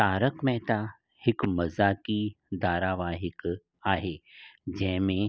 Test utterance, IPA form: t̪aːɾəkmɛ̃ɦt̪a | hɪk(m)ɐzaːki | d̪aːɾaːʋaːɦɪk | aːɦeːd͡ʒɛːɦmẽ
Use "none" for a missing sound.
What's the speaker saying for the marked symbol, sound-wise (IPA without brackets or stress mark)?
m